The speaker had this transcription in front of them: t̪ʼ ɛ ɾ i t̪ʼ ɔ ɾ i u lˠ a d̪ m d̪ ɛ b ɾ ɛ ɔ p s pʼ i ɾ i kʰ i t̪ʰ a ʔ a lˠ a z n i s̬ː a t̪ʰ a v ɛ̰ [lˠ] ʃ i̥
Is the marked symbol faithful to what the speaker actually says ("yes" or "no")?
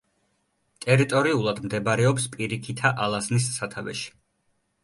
no